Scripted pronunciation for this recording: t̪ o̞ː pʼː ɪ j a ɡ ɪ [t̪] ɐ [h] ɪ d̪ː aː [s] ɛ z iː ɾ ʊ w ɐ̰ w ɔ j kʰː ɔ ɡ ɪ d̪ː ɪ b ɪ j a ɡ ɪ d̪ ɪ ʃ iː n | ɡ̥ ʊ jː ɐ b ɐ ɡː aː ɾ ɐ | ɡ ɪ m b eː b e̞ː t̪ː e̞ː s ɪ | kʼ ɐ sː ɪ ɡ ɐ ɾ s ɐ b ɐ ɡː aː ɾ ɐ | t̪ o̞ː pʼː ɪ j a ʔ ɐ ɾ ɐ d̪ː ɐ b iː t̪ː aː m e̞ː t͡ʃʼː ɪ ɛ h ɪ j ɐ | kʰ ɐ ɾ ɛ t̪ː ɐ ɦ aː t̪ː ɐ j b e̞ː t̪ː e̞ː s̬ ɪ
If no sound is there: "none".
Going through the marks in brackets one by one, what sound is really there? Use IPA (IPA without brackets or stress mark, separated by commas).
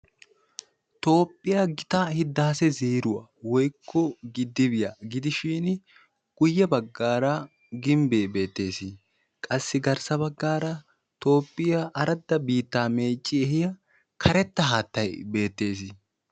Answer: t̪, h, s